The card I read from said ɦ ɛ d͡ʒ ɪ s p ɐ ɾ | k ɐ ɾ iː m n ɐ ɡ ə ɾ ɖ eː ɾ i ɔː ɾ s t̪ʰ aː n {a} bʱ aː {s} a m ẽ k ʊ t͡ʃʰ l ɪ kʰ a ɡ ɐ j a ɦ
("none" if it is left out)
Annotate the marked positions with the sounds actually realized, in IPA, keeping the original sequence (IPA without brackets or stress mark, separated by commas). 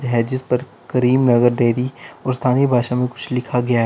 i, ʃ